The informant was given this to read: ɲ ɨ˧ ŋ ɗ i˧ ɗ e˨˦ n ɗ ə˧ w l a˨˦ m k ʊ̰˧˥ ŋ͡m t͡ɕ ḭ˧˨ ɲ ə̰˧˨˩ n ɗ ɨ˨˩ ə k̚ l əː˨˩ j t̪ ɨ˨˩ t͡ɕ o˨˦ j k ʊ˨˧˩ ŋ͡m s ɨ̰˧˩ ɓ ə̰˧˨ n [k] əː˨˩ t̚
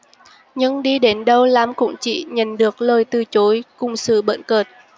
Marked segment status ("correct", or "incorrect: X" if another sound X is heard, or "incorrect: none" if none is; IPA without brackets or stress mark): correct